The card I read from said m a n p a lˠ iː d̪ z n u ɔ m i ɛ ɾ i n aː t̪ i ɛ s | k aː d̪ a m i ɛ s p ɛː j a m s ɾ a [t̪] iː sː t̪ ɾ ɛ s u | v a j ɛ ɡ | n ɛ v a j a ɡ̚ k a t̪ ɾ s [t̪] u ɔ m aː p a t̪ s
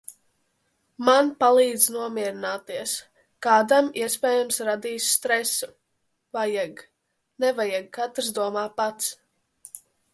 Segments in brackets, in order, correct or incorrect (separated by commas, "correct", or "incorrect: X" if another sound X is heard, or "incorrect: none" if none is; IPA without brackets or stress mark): incorrect: d̪, incorrect: d̪